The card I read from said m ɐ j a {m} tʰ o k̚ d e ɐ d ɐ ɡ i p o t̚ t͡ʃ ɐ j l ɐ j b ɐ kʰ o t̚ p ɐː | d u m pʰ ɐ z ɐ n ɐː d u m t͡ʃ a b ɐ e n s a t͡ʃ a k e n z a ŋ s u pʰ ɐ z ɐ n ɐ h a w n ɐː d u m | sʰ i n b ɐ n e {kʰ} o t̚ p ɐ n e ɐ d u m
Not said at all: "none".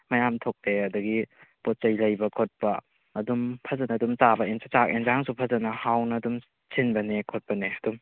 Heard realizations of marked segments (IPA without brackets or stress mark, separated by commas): m, kʰ